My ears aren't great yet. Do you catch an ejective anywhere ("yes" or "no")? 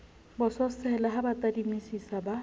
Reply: no